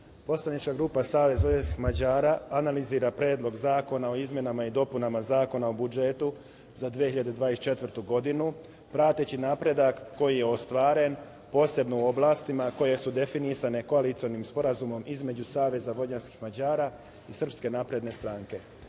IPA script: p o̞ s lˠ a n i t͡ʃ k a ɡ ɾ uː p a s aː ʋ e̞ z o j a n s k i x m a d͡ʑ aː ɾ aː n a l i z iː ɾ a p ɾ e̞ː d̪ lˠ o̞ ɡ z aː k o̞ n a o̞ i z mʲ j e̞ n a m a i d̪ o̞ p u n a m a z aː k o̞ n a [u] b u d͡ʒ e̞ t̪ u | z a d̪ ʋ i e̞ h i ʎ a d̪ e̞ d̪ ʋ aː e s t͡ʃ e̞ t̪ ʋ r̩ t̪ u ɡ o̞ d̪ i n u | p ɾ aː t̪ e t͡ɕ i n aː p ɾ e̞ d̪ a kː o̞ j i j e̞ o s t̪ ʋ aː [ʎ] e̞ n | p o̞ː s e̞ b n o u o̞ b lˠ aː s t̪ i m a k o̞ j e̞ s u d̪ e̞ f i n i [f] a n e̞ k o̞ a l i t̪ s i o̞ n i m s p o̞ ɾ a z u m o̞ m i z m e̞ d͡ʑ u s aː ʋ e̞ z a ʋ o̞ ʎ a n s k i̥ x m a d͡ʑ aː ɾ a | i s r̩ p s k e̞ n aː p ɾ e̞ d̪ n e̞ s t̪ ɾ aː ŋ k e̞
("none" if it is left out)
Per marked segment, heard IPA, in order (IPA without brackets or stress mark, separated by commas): o, ɾ, s